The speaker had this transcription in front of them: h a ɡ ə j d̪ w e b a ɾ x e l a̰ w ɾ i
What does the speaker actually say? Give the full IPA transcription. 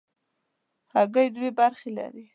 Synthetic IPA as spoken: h a ɡ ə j d̪ w e b a ɾ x e l a̰ ɾ i